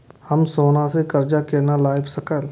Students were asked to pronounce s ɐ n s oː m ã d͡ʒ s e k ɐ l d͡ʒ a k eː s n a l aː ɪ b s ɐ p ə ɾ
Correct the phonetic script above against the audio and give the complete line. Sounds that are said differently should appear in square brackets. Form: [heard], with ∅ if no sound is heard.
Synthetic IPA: [h] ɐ [m] s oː [n] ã [∅] s e k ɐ [ɾ] d͡ʒ a k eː [∅] n a l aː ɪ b s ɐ [k] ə [l]